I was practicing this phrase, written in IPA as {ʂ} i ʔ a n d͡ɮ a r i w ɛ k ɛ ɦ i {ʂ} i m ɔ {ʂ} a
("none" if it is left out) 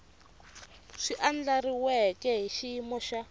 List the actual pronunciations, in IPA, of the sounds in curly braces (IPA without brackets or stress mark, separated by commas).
ʂ, ʃ, ʃ